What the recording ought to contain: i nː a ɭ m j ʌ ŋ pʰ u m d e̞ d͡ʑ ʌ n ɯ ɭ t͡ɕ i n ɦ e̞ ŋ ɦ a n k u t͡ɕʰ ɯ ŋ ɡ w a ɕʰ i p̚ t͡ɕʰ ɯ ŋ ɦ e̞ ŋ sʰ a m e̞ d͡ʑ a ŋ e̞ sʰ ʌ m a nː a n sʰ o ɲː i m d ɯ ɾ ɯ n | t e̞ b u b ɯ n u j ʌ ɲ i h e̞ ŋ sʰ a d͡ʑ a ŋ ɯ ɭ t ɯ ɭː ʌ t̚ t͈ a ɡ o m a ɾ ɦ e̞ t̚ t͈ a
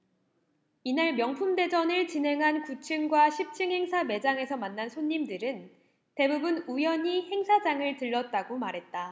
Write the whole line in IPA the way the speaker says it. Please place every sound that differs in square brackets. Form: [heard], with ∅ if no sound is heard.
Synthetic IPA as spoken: i [n] a ɭ m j ʌ ŋ pʰ u m d e̞ d͡ʑ ʌ n ɯ ɭ t͡ɕ i n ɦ e̞ ŋ ɦ a n k u t͡ɕʰ ɯ ŋ ɡ w a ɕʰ i p̚ t͡ɕʰ ɯ ŋ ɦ e̞ ŋ sʰ a m e̞ d͡ʑ a ŋ e̞ sʰ ʌ m a nː a n sʰ o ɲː i m d ɯ ɾ ɯ n | t e̞ b u b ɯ n u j ʌ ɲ i h e̞ ŋ sʰ a d͡ʑ a ŋ ɯ ɭ t ɯ ɭː ʌ t̚ t͈ a ɡ o m a ɾ ɦ e̞ t̚ t͈ a